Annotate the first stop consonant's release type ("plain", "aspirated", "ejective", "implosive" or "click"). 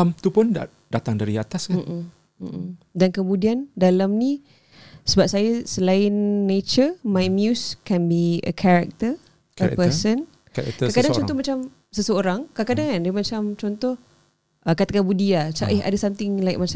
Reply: plain